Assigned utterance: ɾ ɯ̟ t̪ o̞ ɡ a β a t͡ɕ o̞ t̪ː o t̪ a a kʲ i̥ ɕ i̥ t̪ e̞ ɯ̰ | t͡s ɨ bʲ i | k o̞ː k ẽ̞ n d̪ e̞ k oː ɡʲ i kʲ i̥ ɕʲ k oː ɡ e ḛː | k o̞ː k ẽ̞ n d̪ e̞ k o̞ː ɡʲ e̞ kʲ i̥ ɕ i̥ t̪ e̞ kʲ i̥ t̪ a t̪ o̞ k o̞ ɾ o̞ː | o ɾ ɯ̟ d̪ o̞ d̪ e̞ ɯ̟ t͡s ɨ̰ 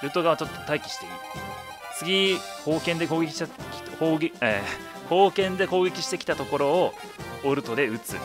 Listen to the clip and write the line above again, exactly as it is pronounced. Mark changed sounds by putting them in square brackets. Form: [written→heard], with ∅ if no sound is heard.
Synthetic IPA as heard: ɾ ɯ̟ t̪ o̞ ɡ a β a t͡ɕ o̞ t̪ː o t̪ a [a→i] kʲ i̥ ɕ i̥ t̪ e̞ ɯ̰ | t͡s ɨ [bʲ→ɡʲ] i | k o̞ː k ẽ̞ n d̪ e̞ k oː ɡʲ [i→e] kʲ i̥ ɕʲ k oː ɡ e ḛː | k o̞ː k ẽ̞ n d̪ e̞ k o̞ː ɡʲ e̞ kʲ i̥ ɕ i̥ t̪ e̞ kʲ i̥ t̪ a t̪ o̞ k o̞ ɾ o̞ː | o ɾ ɯ̟ [d̪→t̪] o̞ d̪ e̞ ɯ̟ t͡s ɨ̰

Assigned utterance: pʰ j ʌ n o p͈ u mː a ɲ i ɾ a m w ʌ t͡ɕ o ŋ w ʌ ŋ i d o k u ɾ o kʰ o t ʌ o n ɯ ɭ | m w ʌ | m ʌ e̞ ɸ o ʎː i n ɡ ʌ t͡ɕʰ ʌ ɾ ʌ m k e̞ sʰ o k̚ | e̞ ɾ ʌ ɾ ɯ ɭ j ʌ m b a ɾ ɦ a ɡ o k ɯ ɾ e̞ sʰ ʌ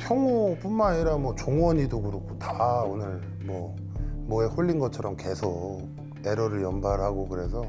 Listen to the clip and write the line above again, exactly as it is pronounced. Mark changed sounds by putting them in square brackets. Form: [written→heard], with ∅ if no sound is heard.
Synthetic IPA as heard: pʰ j ʌ [n→ŋ] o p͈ u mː a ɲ i ɾ a m w ʌ t͡ɕ o ŋ w ʌ [ŋ→ɲ] i d o k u ɾ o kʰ o t [ʌ→a] o n ɯ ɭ | m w ʌ | m ʌ e̞ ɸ o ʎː i n ɡ ʌ t͡ɕʰ ʌ ɾ ʌ m k e̞ sʰ o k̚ | e̞ ɾ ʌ ɾ ɯ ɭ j ʌ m b a ɾ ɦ a ɡ o k ɯ ɾ e̞ sʰ ʌ

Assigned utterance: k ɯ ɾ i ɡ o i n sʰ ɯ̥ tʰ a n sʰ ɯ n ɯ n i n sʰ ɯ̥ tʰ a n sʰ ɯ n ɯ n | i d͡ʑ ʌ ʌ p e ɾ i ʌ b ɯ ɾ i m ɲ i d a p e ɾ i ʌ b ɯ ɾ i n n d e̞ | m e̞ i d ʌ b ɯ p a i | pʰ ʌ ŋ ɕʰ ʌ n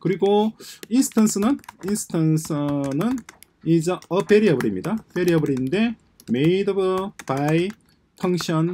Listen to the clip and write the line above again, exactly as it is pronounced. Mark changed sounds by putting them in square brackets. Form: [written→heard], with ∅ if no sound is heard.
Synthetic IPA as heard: k ɯ ɾ i ɡ o i n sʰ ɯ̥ tʰ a n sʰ ɯ n ɯ n i n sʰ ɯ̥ tʰ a n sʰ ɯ n ɯ n | i d͡ʑ ʌ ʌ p e ɾ i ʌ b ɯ ɾ i m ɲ i d a p e ɾ i ʌ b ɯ ɾ i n n d e̞ | m e̞ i d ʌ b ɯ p a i | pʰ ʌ ŋ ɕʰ ʌ n

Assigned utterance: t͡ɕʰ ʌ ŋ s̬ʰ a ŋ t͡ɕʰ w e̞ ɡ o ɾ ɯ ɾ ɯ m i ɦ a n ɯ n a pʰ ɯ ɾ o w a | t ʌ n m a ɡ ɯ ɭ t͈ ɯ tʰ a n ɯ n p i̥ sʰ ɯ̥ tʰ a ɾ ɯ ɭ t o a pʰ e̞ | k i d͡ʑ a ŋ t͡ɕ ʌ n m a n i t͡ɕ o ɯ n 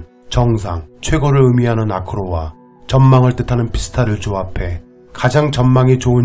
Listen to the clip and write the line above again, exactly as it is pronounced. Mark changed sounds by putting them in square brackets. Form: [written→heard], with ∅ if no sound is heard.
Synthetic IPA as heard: [t͡ɕʰ→t͡ɕ] ʌ ŋ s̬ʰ a ŋ t͡ɕʰ w e̞ ɡ o ɾ ɯ [ɾ→ɭ] ɯ m i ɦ a n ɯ n a [pʰ→kʰ] ɯ ɾ o w a | [t→t͡ɕ] ʌ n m a [ɡ→ŋ] ɯ ɭ t͈ ɯ tʰ a n ɯ n p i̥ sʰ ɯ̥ tʰ a ɾ ɯ ɭ [t→t͡ɕ] o a pʰ e̞ | k [i→a] d͡ʑ a ŋ t͡ɕ ʌ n m a [n→ŋ] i t͡ɕ o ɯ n

